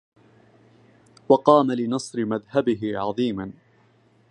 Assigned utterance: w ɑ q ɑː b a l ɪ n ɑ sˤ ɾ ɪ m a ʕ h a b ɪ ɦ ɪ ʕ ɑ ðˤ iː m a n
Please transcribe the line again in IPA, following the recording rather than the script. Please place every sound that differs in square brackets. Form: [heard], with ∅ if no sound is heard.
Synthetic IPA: w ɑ q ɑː [m] a l ɪ n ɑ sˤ ɾ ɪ m a [ð] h a b ɪ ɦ ɪ ʕ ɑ ðˤ iː m a n